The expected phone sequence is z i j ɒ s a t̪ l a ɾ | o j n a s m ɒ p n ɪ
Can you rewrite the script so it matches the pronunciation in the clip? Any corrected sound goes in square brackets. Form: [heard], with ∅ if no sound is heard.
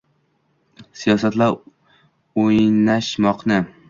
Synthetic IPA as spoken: [s] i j ɒ s a t̪ l a ɾ | o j n a [ʃ] m ɒ [q] n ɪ